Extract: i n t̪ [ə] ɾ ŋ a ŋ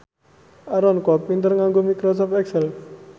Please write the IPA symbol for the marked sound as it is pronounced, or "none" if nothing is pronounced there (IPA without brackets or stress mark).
ə